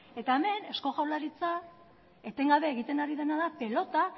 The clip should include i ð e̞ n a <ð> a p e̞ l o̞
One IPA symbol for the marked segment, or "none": ð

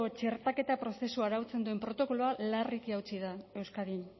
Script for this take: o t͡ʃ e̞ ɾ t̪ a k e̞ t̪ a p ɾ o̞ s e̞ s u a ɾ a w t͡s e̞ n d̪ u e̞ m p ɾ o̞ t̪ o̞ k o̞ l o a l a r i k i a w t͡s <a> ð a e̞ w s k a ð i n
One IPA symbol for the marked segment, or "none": i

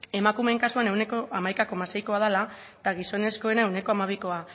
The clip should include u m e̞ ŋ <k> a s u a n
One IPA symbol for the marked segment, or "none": k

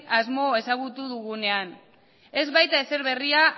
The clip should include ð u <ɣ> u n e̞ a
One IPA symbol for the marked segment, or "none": ɣ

